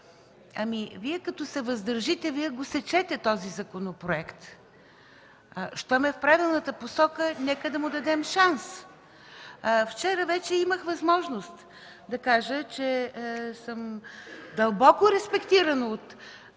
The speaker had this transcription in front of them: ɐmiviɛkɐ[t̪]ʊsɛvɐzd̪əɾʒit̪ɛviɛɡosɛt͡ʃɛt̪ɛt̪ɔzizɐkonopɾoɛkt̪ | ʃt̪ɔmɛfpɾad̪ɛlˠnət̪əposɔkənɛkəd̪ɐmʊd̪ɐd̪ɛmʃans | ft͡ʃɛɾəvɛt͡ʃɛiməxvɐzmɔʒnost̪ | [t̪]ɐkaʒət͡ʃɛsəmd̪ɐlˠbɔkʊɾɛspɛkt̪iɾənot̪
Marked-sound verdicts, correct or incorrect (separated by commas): correct, incorrect